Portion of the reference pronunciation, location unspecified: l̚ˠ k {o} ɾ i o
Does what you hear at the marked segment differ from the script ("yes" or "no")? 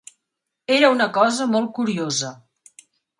yes